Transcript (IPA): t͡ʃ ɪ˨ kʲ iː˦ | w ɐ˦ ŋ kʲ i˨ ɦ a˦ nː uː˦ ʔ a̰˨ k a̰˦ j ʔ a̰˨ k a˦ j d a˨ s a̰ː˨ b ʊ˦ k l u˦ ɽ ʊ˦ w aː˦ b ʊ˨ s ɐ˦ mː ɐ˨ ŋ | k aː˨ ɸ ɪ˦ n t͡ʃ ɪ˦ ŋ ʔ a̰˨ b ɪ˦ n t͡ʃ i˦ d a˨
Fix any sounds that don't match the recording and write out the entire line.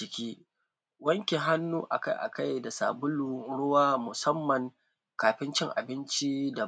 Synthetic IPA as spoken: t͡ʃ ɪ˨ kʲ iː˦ | w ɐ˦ ŋ kʲ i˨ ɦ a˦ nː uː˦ ʔ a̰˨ k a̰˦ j ʔ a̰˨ k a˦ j d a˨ s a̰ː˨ b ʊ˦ l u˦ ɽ ʊ˦ w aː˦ m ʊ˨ s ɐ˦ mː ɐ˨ ŋ | k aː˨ ɸ ɪ˦ n t͡ʃ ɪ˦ ŋ ʔ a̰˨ b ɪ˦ n t͡ʃ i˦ d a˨